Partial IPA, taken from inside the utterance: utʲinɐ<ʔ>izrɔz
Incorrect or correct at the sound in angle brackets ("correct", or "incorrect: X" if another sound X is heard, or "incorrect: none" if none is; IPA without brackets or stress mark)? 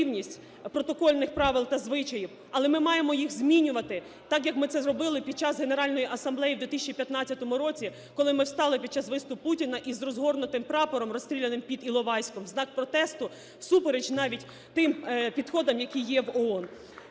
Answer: correct